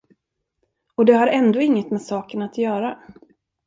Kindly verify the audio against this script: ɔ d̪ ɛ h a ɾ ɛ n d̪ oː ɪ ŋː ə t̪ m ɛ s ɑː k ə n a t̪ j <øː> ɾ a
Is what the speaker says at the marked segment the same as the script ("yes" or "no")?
no